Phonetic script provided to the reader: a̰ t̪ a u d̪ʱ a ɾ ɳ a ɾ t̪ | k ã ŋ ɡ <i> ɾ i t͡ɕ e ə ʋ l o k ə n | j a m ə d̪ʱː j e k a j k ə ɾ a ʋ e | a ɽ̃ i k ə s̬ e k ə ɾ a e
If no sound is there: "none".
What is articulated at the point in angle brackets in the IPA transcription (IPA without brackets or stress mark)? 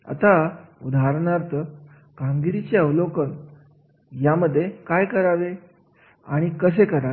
i